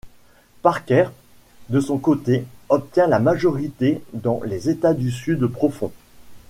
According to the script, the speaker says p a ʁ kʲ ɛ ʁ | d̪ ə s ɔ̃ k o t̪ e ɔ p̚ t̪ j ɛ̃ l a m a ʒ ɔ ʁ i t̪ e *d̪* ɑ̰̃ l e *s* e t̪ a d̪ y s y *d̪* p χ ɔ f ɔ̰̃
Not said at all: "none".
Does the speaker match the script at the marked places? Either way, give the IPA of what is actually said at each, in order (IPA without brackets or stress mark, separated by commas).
d̪, z, d̪